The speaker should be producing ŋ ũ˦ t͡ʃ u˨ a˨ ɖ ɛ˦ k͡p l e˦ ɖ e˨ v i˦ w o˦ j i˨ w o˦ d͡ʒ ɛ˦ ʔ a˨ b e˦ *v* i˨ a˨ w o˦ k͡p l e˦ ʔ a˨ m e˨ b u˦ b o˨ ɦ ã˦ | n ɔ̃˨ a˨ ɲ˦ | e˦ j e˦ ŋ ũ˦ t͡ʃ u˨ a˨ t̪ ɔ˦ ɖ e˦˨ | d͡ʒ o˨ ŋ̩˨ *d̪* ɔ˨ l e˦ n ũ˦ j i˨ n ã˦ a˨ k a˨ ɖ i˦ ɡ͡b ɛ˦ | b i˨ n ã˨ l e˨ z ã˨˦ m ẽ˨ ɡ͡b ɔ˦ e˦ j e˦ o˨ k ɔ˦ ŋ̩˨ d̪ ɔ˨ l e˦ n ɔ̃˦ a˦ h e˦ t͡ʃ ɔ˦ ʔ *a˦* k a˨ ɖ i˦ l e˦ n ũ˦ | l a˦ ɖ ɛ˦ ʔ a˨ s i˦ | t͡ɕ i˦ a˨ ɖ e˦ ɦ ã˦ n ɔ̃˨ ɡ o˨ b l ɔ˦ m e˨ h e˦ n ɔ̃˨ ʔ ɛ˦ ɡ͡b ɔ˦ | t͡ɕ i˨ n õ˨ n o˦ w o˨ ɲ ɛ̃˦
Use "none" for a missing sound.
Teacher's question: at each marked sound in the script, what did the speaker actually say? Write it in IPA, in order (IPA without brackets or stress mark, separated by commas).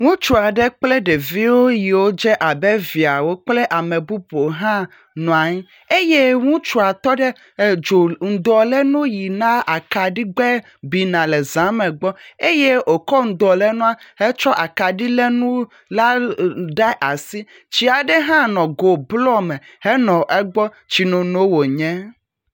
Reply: v, d̪, a˨